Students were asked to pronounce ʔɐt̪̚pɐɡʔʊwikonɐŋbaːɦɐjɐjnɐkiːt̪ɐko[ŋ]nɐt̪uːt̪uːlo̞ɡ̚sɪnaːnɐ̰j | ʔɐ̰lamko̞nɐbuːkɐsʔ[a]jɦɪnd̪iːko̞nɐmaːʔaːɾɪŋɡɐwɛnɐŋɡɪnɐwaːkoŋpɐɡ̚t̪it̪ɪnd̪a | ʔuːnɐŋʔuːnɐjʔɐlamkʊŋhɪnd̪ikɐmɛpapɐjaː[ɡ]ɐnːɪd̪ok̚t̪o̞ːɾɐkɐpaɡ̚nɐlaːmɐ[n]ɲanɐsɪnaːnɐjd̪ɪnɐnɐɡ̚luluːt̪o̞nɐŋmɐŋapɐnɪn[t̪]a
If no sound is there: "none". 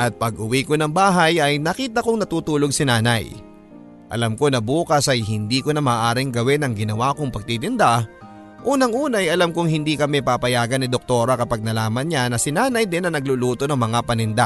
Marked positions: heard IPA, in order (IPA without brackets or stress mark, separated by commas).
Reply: ŋ, ɐ, ɡ, n, d̪